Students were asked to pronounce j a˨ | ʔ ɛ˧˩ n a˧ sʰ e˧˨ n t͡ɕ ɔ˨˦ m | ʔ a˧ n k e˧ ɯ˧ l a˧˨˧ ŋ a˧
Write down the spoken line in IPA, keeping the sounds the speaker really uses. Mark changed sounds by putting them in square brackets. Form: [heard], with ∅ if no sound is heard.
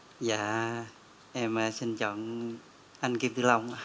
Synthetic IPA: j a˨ | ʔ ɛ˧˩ [m] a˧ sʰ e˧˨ n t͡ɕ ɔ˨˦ [ŋ] | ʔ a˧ n k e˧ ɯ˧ l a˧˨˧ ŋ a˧

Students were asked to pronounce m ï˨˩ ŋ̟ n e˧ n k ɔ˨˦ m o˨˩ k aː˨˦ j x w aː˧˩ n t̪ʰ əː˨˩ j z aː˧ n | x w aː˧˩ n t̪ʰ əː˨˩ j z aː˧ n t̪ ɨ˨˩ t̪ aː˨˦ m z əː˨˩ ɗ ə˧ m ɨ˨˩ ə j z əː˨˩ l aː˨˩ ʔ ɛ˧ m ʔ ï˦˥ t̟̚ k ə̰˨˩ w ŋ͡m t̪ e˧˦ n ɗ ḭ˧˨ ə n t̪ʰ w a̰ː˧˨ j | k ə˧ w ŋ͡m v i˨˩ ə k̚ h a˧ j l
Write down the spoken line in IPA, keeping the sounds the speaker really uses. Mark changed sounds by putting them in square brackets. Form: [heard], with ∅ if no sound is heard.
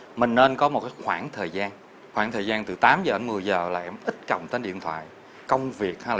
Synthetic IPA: m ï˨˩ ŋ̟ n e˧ n k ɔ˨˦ m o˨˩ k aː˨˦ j x w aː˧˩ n t̪ʰ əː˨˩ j z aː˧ n | x w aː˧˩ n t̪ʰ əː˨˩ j z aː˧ n t̪ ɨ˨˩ t̪ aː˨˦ m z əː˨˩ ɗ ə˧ m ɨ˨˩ ə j z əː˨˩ l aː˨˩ ʔ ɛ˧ m ʔ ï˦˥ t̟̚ k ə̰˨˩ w ŋ͡m t̪ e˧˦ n ɗ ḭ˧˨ ə n t̪ʰ w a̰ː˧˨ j | k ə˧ w ŋ͡m v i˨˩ ə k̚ h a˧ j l

